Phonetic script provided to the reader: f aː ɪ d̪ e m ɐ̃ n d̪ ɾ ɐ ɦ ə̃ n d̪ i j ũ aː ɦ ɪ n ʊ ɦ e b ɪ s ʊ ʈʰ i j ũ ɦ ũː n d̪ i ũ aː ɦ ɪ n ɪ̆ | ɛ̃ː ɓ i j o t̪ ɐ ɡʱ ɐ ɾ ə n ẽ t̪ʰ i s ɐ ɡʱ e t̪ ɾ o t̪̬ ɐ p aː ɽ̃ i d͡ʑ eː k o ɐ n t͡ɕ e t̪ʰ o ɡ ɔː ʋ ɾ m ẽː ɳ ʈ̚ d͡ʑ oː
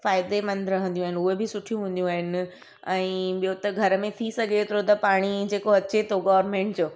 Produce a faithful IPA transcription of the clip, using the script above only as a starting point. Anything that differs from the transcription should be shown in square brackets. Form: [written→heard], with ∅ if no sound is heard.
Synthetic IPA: f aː ɪ d̪ e m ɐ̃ n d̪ ɾ ɐ ɦ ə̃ n d̪ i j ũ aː ɦ ɪ n ʊ ɦ e b ɪ s ʊ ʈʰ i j ũ ɦ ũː n d̪ [i→j] ũ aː ɦ ɪ n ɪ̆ | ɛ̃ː ɓ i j o t̪ ɐ ɡʱ ɐ ɾ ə [n→m] ẽ t̪ʰ i s ɐ ɡʱ e t̪ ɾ o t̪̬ ɐ p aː ɽ̃ i d͡ʑ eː k o ɐ [n→∅] t͡ɕ e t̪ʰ o ɡ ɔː ʋ ɾ m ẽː ɳ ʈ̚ d͡ʑ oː